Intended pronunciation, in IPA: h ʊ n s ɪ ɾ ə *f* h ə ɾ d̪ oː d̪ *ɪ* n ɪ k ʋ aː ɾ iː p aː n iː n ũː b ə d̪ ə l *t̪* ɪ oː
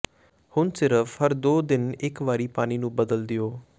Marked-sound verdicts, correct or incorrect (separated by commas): correct, correct, incorrect